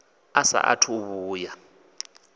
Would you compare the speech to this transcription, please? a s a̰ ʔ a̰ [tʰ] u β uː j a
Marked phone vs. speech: correct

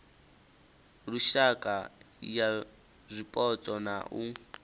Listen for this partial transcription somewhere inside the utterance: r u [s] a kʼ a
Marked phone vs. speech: incorrect: ʃ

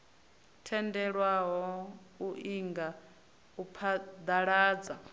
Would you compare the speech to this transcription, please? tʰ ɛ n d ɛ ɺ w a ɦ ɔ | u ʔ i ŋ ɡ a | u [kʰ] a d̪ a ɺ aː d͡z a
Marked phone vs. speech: incorrect: pʰ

